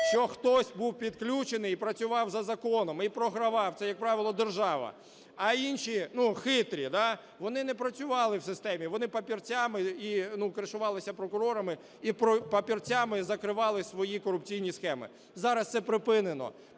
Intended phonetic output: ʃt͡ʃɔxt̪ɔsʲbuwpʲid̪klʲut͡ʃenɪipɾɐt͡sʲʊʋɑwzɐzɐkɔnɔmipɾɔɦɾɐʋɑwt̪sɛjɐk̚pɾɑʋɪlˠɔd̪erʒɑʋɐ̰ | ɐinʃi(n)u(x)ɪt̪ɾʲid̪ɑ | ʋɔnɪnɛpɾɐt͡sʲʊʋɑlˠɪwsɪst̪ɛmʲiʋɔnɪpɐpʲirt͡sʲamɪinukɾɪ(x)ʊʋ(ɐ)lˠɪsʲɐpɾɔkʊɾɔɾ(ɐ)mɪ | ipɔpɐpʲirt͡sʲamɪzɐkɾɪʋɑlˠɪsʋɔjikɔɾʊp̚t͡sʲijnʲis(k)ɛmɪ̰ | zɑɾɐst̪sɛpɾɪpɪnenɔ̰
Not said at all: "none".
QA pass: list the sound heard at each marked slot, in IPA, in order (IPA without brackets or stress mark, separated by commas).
n, x, ʃ, ɑ, ɐ, x